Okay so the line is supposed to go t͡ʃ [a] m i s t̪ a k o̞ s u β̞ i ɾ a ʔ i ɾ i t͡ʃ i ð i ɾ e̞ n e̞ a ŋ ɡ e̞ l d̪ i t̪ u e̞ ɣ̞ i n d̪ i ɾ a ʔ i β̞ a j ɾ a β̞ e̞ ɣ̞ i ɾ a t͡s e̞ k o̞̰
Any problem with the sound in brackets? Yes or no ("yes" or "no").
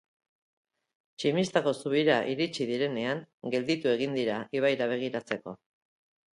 yes